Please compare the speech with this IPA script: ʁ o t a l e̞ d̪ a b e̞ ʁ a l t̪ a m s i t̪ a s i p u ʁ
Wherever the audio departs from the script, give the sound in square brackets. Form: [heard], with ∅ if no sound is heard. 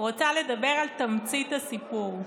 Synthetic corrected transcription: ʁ o [t͡s] a l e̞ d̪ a b e̞ ʁ a l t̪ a m [t͡s] i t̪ a s i p u ʁ